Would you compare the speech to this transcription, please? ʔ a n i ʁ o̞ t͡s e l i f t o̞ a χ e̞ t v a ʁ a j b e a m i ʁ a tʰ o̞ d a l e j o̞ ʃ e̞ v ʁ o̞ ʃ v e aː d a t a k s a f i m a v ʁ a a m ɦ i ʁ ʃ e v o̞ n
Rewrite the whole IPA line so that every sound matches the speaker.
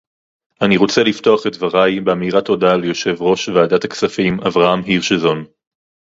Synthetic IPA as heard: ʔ a n i ʁ o̞ t͡s e l i f t o̞ a χ e̞ t v a ʁ a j b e a m i ʁ a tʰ o̞ d a l e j o̞ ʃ e̞ v ʁ o̞ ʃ v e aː d a t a k s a f i m a v ʁ a a m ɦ i ʁ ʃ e z o̞ n